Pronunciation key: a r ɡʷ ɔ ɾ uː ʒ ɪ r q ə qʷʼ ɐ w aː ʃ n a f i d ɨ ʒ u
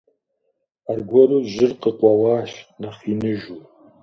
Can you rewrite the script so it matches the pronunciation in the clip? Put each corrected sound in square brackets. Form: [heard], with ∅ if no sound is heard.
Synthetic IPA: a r ɡʷ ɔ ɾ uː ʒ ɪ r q ə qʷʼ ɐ w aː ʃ n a [χ] i [n] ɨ ʒ u